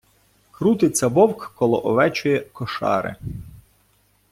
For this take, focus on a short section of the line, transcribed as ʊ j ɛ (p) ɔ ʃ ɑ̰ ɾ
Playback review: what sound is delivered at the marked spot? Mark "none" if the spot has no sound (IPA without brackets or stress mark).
k